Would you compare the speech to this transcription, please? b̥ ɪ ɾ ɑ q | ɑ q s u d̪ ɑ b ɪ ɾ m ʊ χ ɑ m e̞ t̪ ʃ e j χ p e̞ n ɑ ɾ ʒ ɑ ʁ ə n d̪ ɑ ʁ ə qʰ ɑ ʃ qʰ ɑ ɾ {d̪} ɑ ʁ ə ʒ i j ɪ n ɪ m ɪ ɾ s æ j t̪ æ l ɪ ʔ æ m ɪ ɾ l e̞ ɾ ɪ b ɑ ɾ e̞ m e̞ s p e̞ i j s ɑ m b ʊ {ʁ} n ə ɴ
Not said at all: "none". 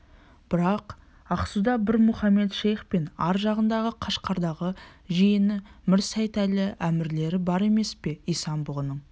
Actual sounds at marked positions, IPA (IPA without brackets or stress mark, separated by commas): d̪, ʁ